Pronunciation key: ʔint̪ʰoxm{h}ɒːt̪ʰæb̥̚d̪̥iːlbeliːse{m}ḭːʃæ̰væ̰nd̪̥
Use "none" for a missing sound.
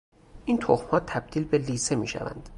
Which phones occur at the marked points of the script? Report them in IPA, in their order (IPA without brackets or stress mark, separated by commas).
h, m